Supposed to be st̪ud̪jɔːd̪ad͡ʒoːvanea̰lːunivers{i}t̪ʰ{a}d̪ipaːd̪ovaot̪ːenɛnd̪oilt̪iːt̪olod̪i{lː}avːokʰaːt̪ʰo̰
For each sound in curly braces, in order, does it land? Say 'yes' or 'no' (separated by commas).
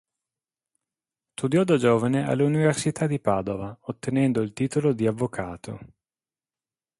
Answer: yes, yes, no